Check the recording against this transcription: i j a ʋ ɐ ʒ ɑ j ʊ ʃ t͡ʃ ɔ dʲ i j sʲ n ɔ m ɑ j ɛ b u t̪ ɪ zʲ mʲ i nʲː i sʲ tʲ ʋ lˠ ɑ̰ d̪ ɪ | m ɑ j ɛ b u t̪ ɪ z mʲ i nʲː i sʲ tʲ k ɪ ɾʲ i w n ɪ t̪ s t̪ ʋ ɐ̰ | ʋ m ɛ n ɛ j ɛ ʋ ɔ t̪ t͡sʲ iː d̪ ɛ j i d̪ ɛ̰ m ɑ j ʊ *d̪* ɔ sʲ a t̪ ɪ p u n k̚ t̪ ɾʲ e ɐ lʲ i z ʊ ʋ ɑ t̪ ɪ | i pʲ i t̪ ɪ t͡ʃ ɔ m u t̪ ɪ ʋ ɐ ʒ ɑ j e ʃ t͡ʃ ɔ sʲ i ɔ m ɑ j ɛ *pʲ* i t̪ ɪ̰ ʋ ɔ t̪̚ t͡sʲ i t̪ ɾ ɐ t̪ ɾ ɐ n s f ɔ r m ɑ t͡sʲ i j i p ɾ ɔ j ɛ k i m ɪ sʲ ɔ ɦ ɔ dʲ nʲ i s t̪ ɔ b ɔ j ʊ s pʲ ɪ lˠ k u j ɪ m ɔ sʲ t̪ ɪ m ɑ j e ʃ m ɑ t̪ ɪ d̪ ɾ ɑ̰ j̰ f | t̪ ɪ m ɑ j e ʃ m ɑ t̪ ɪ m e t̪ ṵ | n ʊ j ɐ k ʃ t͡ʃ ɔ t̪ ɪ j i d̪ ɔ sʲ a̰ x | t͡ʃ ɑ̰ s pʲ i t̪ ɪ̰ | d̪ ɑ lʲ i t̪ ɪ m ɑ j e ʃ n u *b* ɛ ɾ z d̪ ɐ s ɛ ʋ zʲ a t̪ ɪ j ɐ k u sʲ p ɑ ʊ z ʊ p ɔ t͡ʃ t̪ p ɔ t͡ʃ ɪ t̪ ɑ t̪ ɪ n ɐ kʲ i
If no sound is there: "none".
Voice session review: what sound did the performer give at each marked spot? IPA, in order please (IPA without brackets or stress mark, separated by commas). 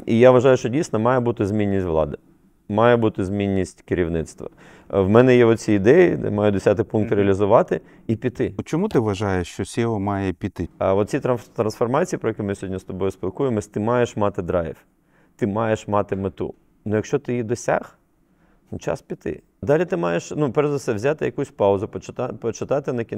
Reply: d̪, pʲ, p